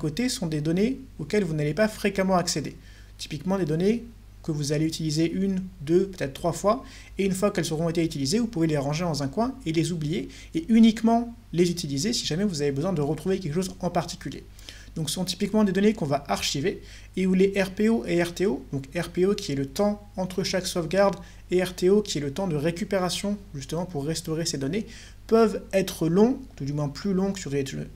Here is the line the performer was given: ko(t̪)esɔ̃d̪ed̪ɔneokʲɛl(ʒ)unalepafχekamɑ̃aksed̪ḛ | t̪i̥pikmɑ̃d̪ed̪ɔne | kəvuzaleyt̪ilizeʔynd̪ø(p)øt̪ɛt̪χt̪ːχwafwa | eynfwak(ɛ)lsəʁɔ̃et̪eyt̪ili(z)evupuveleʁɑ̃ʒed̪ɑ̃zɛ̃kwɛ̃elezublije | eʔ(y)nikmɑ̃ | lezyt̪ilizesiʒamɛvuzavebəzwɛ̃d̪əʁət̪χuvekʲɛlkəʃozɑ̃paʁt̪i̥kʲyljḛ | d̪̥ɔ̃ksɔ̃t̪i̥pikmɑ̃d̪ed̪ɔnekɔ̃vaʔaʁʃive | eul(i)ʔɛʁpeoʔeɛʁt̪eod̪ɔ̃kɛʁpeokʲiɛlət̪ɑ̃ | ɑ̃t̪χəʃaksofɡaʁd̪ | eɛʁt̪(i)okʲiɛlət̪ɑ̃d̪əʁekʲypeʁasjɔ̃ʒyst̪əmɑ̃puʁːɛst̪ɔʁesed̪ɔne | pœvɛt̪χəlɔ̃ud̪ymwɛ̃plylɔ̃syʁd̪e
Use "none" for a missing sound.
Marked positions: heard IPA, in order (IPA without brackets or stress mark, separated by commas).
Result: t̪, v, p, ɛ, z, y, e, e